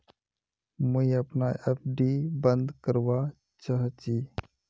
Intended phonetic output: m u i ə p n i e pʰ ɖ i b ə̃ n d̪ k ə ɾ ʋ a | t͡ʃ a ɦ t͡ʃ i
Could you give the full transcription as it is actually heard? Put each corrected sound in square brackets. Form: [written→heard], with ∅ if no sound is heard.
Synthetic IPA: m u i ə p n [i→a] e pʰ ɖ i b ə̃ n d̪ k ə ɾ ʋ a | t͡ʃ a ɦ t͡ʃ i